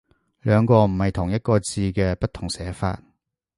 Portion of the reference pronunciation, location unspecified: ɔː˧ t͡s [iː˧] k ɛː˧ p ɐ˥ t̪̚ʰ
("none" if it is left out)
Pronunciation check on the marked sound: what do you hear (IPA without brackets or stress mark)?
iː˧